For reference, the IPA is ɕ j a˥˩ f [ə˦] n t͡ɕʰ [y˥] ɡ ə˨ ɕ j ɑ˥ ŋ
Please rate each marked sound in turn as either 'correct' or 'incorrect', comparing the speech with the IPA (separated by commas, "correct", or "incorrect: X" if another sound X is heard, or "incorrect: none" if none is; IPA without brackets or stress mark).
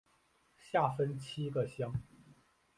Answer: correct, incorrect: i˥